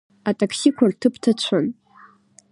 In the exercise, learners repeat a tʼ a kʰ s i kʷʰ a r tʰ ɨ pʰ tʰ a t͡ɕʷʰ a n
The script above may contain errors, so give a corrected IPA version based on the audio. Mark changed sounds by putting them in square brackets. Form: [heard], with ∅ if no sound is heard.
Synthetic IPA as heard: a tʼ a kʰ s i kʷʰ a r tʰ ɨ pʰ tʰ a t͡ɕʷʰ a n